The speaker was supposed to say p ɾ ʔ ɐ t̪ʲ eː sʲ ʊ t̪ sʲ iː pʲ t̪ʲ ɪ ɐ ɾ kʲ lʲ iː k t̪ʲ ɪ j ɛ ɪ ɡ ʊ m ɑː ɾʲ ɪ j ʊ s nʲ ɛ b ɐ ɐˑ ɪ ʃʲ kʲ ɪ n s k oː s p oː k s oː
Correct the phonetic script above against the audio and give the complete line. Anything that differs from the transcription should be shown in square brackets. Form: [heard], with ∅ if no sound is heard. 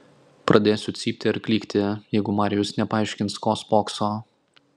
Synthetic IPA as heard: p ɾ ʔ ɐ [d̪ʲ] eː sʲ ʊ t̪ sʲ iː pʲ t̪ʲ ɪ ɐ ɾ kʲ lʲ iː k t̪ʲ ɪ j ɛ ɪ ɡ ʊ m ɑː ɾʲ ɪ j ʊ s nʲ ɛ [p] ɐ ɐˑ ɪ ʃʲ kʲ ɪ n s k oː s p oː k s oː

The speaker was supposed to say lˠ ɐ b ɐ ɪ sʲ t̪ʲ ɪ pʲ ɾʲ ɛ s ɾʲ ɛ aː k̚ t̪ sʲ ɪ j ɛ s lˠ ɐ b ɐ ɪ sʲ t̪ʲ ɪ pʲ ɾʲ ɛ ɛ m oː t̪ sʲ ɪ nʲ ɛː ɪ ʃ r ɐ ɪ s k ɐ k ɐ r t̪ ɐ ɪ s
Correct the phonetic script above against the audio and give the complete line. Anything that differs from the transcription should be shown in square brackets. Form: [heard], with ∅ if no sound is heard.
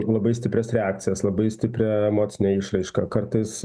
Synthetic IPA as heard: lˠ ɐ b ɐ ɪ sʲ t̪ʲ ɪ pʲ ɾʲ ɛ s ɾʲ ɛ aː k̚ t̪ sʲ ɪ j ɛ s lˠ ɐ b ɐ ɪ sʲ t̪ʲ ɪ pʲ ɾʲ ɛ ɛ m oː t̪ sʲ ɪ nʲ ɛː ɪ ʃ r ɐ ɪ [ʃ] k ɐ k ɐ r t̪ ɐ ɪ s

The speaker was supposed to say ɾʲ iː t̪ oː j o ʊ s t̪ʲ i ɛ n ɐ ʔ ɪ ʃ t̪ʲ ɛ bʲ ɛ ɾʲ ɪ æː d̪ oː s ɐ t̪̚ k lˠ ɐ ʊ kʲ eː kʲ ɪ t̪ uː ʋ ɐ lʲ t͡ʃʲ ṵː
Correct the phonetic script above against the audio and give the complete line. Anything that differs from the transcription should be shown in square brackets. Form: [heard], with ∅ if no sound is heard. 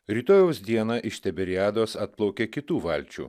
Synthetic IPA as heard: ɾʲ iː t̪ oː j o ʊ s [d̪ʲ] i ɛ n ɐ ʔ ɪ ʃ t̪ʲ ɛ bʲ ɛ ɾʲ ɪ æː d̪ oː s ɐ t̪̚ [p] lˠ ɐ ʊ kʲ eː kʲ ɪ t̪ uː ʋ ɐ lʲ t͡ʃʲ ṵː

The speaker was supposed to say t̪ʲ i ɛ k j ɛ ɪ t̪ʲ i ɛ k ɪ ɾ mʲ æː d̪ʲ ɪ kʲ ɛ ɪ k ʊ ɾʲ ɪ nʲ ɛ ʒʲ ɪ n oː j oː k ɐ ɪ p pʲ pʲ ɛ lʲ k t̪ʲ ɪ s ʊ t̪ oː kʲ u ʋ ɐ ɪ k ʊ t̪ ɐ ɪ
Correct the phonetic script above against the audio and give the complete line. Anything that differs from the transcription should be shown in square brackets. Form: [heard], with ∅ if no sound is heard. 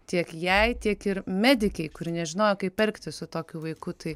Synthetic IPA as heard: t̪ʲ i ɛ k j ɛ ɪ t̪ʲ i ɛ k ɪ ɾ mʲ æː d̪ʲ ɪ kʲ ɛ ɪ k ʊ ɾʲ ɪ nʲ ɛ ʒʲ ɪ n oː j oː k ɐ ɪ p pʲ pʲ ɛ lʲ k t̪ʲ ɪ s ʊ t̪ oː kʲ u ʋ ɐ ɪ k ʊ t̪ ɐ ɪ

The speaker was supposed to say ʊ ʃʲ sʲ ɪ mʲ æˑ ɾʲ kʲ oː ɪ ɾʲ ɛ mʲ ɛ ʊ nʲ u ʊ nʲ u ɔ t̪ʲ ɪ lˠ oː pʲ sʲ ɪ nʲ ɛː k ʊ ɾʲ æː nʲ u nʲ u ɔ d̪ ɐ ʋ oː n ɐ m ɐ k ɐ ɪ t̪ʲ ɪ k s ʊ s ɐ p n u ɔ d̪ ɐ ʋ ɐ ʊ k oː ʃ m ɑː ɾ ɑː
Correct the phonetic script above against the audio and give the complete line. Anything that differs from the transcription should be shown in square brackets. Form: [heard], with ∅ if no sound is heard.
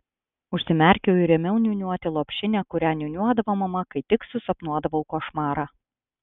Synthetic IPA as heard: ʊ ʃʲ sʲ ɪ mʲ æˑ ɾʲ kʲ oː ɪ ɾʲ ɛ mʲ ɛ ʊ nʲ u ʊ nʲ u ɔ t̪ʲ ɪ lˠ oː pʲ [ʃʲ] ɪ nʲ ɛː k ʊ ɾʲ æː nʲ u nʲ u ɔ d̪ ɐ ʋ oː [m] ɐ m ɐ k ɐ ɪ t̪ʲ ɪ k s ʊ s ɐ p n u ɔ d̪ ɐ ʋ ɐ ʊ k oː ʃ m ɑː ɾ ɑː

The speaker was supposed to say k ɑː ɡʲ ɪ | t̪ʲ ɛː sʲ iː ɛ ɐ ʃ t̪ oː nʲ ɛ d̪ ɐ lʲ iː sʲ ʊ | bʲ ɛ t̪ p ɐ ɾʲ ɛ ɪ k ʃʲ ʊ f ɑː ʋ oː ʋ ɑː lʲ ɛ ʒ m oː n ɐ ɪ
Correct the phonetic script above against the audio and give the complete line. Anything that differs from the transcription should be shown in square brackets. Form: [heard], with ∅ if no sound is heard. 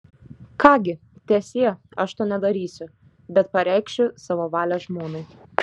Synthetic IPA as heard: k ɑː ɡʲ ɪ | t̪ʲ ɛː sʲ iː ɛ ɐ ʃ t̪ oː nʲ ɛ d̪ ɐ [ɾʲ] iː sʲ ʊ | bʲ ɛ t̪ p ɐ ɾʲ ɛ ɪ k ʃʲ ʊ [s] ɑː ʋ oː ʋ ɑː lʲ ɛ ʒ m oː n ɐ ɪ

